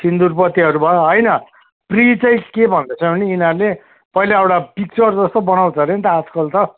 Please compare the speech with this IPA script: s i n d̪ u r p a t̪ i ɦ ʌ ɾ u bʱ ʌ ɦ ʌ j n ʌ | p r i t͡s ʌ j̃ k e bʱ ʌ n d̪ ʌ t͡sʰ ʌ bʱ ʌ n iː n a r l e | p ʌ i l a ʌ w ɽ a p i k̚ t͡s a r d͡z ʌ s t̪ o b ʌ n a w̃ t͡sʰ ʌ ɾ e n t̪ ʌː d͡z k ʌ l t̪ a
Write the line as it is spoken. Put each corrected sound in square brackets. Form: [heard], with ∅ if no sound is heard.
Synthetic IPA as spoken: s i n d̪ u r p [ʌ] t̪ i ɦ ʌ ɾ u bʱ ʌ ɦ ʌ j n ʌ | p r i t͡s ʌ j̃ k e bʱ ʌ n d̪ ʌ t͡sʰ ʌ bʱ ʌ n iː n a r l e | p ʌ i l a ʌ w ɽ a p i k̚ t͡s [ʌ] r d͡z ʌ s t̪ o b ʌ n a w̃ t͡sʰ ʌ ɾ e n t̪ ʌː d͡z k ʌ l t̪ [ʌ]